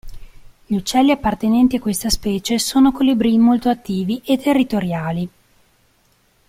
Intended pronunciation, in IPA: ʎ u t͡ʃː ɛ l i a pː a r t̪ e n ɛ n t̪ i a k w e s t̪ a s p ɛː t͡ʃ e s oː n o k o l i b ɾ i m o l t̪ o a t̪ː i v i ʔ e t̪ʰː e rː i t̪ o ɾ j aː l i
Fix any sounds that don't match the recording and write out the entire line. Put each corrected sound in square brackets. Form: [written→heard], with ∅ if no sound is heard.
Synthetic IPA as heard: ʎ u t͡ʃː ɛ [l→lː] i a pː a r t̪ e n ɛ n t̪ i a k w e s t̪ a s p ɛː t͡ʃ e s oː n o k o l i b ɾ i m o l t̪ o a t̪ː [i→iː] v i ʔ e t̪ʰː e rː i t̪ o ɾ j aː l i

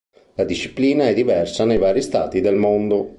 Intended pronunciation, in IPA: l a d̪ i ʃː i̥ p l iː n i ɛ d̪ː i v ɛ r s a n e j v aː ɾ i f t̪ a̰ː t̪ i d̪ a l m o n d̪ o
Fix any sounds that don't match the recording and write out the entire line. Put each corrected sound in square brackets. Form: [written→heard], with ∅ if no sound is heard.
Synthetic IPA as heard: l a d̪ i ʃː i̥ p l iː n [i→a] ɛ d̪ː i v ɛ r s a n e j v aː ɾ i [f→s] t̪ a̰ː t̪ i d̪ [a→e] l m o n d̪ o

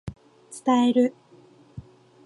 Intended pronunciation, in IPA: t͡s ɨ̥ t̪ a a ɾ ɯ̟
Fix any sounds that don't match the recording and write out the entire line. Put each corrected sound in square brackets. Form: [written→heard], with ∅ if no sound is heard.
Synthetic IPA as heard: t͡s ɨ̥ t̪ a [a→e] ɾ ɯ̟

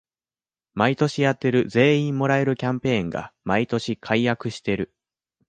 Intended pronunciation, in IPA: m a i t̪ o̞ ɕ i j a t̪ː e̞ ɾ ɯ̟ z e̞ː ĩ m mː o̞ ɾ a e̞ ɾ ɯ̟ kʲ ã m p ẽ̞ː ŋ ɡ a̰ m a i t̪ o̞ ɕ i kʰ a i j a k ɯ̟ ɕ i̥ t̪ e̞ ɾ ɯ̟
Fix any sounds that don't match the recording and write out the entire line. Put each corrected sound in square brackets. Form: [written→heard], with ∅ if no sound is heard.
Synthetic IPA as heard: m a i t̪ o̞ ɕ i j a t̪ː e̞ ɾ ɯ̟ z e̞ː ĩ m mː o̞ ɾ a e̞ ɾ ɯ̟ kʲ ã m p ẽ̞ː ŋ ɡ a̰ m a i t̪ o̞ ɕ i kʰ a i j a k ɯ̟ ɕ i̥ t̪ e̞ ɾ ɯ̟

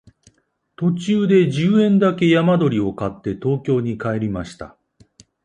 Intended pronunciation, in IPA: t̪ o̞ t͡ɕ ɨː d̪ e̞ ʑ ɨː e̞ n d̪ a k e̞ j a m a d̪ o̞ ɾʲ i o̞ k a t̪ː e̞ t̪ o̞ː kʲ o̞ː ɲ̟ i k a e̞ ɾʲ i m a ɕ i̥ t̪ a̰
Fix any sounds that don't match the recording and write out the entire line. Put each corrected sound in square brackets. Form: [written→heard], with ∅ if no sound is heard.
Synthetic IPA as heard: t̪ o̞ t͡ɕ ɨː d̪ e̞ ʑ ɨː [e̞→ẽ̞] n d̪ a k e̞ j a m a d̪ o̞ ɾʲ i o̞ k a t̪ː e̞ t̪ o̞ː kʲ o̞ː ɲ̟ i k a e̞ ɾʲ i m a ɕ i̥ t̪ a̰

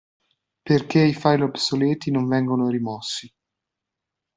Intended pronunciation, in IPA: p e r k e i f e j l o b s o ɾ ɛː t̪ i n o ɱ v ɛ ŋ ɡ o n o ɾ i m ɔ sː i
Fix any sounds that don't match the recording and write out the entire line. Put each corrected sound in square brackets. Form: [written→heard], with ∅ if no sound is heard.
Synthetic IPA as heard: p e r k e i f [e→a] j l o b s o [ɾ→l] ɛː t̪ i n o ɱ v ɛ ŋ ɡ o n o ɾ i m ɔ sː i

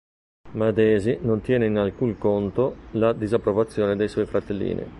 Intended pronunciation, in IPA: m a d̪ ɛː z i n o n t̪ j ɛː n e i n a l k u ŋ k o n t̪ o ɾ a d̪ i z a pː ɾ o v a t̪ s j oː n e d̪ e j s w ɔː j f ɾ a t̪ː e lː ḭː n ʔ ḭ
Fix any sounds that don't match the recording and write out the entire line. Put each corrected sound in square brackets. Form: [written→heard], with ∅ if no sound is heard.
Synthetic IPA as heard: m a d̪ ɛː z i n o n t̪ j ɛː n e i n a l k u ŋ k o n t̪ o [ɾ→l] a d̪ i z a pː ɾ o v a t̪ [s→sː] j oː n e d̪ e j s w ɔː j f ɾ a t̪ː e lː ḭː n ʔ ḭ

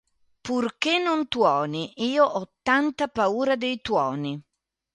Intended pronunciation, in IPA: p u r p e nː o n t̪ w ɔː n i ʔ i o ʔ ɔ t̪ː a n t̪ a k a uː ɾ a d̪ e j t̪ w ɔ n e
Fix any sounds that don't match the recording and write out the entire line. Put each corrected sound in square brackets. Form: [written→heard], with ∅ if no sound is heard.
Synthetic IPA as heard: p u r [p→k] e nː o n t̪ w ɔː n i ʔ [i→iː] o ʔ ɔ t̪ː a n t̪ a [k→p] a uː ɾ a d̪ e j t̪ w [ɔ→ɔː] n [e→i]

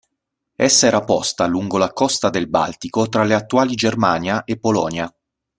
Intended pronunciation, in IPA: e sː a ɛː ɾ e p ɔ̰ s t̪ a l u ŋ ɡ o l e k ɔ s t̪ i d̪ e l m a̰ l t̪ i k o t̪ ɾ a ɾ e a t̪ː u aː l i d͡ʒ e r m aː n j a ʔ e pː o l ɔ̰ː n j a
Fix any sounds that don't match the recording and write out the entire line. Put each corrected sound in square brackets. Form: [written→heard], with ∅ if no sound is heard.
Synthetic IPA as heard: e sː a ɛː ɾ [e→a] p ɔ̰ s t̪ a l u ŋ ɡ o l [e→a] k ɔ s t̪ [i→a] d̪ e l [m→b] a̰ l t̪ i k o t̪ ɾ a [ɾ→l] e a t̪ː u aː l i d͡ʒ e r m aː n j a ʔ e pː o l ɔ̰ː n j a

